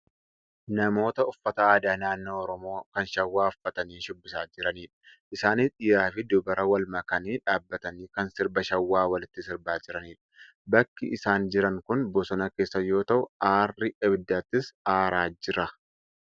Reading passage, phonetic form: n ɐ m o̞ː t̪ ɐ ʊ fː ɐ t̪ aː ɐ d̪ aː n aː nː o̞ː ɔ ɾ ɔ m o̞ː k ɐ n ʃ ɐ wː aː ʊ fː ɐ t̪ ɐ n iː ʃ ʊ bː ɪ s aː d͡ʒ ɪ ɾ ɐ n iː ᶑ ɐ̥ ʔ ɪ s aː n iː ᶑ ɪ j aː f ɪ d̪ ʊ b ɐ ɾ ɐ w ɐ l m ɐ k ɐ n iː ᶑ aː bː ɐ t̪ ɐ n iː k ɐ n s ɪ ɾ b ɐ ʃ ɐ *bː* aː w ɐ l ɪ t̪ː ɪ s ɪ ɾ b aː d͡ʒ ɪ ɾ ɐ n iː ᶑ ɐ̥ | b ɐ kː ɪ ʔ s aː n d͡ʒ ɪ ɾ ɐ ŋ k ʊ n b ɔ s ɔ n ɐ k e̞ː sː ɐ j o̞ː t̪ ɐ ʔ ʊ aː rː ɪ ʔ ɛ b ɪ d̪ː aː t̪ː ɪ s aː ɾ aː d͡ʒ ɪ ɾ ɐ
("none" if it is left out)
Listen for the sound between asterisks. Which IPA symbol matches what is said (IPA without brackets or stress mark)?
wː